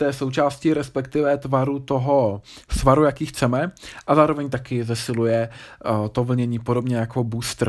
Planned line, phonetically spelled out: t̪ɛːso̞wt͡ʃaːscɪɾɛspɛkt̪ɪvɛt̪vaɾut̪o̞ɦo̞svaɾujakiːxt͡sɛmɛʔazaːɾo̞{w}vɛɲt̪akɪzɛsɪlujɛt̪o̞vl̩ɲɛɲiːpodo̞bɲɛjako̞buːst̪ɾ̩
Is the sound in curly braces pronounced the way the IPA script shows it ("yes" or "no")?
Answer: no